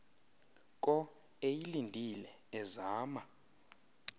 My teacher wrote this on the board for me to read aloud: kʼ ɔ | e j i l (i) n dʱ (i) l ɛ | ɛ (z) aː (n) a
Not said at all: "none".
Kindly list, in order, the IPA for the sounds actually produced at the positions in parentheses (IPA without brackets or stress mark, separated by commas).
i, i, z, m